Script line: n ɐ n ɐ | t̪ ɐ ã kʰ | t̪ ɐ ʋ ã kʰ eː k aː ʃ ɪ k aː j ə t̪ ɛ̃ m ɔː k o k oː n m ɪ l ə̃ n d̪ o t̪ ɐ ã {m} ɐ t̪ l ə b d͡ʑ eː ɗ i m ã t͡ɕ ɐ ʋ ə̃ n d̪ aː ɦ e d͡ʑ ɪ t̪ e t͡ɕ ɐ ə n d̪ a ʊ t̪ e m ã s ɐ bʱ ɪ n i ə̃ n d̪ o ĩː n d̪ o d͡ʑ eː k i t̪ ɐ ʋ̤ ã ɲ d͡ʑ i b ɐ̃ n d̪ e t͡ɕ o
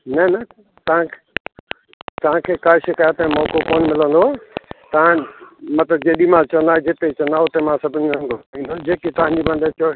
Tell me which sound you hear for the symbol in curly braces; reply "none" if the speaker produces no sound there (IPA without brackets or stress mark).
m